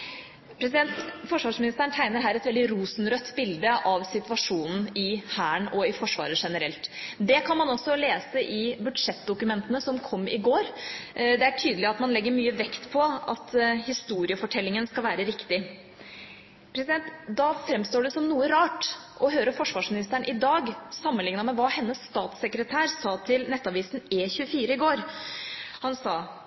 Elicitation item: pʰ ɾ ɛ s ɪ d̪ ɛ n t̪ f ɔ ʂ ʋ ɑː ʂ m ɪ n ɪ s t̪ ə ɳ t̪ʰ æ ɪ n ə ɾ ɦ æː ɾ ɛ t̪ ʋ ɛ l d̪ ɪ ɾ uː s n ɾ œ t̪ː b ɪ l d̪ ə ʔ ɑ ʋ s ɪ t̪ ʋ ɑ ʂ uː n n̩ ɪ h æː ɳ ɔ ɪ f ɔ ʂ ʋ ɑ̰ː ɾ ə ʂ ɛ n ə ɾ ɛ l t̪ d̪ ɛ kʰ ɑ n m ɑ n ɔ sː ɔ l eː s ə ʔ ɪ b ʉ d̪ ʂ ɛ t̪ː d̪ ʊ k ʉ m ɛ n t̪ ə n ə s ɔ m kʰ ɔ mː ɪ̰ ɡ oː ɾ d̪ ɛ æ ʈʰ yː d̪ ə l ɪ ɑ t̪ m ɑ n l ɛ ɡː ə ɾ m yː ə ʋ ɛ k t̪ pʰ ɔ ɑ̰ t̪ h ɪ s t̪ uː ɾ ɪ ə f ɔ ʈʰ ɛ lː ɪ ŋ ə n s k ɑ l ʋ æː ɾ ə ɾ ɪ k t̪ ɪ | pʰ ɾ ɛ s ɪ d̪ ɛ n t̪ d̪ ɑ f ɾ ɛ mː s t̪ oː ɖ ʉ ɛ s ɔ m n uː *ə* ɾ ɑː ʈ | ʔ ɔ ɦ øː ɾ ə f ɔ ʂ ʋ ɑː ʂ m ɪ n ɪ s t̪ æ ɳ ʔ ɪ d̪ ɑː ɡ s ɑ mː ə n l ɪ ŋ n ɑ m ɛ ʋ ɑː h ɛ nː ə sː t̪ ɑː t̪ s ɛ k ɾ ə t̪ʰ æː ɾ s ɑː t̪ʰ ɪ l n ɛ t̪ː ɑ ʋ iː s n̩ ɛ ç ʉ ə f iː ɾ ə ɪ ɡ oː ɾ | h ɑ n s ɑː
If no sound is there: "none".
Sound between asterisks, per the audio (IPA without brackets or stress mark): ə